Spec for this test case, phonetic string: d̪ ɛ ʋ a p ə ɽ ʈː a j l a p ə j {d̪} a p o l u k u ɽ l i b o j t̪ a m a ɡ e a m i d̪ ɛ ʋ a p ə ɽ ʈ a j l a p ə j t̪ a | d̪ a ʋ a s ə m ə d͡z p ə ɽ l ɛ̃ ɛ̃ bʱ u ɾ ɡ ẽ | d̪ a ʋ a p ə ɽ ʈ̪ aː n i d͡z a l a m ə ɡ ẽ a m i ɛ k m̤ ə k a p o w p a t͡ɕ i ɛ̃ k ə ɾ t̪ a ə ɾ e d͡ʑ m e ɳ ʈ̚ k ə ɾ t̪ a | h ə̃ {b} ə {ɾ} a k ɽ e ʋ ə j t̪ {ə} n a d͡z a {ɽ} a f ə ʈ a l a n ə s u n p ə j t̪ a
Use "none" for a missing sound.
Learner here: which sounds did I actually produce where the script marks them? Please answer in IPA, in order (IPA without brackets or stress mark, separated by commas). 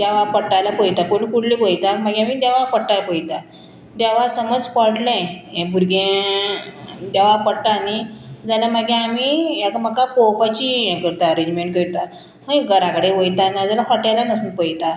t̪, ɡ, ɾ, a, l